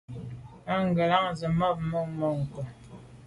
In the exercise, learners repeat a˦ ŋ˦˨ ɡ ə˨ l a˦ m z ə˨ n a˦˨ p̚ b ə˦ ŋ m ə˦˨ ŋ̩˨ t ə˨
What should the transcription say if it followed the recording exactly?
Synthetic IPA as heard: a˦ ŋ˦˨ ɡ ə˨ l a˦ ŋ z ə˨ m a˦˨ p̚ m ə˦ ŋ m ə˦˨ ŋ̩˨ k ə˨